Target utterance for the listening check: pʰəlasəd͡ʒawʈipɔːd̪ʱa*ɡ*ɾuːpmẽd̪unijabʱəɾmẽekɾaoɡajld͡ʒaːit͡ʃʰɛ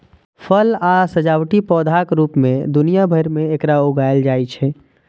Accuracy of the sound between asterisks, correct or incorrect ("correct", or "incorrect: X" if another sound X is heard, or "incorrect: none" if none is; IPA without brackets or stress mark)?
incorrect: k